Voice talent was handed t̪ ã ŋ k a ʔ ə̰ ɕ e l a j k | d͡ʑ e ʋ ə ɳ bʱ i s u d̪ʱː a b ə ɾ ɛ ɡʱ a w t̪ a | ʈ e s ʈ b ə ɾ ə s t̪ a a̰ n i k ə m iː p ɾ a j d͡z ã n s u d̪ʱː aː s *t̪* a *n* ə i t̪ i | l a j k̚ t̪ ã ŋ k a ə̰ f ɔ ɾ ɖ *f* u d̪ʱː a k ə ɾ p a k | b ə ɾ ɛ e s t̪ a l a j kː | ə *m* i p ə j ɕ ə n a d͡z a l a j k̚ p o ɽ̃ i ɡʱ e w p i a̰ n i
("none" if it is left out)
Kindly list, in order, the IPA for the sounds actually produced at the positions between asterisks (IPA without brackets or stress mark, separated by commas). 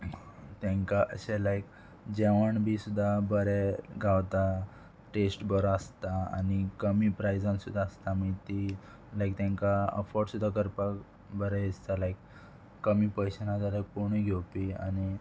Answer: t̪, m, s, m